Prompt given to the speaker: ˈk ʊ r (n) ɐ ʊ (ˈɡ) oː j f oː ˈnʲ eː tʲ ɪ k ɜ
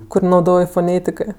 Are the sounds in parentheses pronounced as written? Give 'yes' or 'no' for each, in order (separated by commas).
yes, no